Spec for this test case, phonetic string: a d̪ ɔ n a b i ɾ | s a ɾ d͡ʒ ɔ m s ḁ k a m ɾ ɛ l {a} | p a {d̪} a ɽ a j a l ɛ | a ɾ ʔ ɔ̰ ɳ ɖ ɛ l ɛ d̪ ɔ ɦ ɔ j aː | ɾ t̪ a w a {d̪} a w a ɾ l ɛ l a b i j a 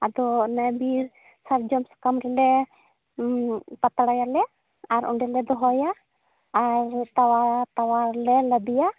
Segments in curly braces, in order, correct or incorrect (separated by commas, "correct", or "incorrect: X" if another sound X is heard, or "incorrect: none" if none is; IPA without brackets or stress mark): incorrect: ɛ, incorrect: t̪, incorrect: t̪